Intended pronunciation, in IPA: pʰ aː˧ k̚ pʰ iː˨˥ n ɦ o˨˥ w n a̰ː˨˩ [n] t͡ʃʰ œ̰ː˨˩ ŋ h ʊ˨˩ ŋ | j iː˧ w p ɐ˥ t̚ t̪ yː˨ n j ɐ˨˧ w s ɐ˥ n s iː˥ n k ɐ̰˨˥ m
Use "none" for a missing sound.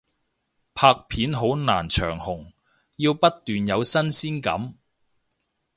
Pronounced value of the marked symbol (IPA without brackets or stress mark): n